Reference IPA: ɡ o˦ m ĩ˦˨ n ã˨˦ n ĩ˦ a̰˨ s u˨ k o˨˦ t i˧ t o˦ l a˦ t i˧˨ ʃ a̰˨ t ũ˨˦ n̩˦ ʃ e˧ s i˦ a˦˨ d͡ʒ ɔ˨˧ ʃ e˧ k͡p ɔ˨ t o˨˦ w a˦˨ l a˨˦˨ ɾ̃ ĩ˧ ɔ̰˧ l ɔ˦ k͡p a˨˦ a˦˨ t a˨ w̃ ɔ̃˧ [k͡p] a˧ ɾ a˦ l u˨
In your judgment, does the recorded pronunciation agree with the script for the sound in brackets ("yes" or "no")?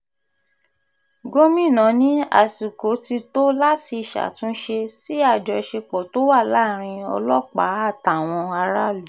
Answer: no